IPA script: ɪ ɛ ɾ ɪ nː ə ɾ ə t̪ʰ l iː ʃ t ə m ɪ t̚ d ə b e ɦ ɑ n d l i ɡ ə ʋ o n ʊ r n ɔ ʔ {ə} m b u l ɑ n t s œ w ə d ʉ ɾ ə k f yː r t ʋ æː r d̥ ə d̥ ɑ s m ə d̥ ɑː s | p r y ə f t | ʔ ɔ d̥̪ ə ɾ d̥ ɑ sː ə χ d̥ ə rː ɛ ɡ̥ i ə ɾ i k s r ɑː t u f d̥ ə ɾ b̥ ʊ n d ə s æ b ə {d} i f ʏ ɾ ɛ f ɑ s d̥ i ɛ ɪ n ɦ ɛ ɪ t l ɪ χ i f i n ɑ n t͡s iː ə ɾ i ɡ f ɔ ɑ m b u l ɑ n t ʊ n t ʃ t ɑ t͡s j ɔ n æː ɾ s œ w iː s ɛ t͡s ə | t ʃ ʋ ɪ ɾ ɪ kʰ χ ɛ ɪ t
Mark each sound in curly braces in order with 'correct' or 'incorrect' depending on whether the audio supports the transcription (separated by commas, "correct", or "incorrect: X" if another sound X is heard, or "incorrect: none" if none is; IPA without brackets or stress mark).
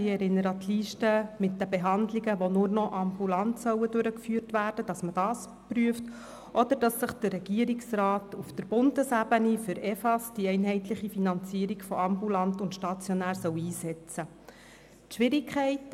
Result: incorrect: ɑ, incorrect: n